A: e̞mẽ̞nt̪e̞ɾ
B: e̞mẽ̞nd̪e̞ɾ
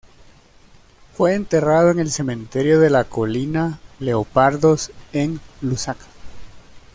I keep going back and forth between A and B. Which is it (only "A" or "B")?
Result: A